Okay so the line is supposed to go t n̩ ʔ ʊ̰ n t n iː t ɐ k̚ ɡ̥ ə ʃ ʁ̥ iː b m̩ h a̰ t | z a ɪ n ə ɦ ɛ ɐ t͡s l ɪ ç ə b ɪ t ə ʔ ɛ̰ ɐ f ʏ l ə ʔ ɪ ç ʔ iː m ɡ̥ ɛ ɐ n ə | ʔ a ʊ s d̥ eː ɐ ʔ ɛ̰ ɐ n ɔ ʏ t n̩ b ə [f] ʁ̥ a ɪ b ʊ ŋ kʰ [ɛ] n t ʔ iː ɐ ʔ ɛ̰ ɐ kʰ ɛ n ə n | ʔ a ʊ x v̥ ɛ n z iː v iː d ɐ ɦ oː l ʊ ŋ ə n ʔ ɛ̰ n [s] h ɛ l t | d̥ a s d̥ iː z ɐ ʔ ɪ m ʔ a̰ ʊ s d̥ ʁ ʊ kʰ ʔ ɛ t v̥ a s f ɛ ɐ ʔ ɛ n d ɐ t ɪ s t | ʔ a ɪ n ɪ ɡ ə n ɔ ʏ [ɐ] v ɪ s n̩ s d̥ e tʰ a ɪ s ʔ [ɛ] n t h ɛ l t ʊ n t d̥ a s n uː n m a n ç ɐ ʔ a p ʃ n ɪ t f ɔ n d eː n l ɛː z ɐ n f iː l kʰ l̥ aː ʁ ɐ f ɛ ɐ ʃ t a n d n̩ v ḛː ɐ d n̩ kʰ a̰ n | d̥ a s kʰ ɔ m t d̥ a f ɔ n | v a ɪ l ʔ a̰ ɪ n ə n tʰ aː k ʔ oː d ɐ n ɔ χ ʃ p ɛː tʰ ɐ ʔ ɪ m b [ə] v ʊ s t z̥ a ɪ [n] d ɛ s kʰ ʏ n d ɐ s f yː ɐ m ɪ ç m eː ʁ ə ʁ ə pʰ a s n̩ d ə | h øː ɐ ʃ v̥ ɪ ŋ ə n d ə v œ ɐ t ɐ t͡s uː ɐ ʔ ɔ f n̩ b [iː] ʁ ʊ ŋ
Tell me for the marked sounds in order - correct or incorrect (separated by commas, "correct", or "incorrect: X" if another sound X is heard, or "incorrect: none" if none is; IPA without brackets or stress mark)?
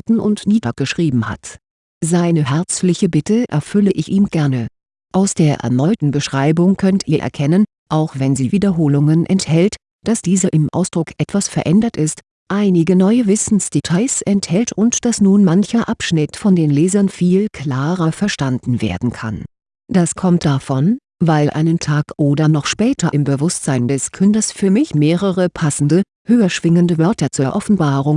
incorrect: ʃ, incorrect: œ, incorrect: t, incorrect: ə, correct, correct, correct, incorrect: aː